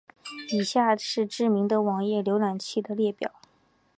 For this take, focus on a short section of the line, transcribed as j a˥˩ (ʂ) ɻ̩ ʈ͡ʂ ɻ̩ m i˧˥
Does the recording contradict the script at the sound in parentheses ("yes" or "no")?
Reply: no